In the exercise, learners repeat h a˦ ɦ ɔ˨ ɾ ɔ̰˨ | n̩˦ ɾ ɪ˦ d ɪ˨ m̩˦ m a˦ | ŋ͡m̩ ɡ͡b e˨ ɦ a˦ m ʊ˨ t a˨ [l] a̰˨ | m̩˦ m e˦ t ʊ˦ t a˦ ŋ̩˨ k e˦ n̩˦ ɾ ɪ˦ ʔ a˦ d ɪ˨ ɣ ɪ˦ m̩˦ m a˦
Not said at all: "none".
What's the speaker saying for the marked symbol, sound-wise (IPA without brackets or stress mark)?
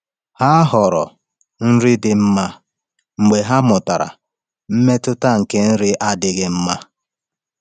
ɾ